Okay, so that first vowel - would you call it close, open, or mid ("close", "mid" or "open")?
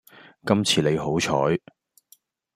open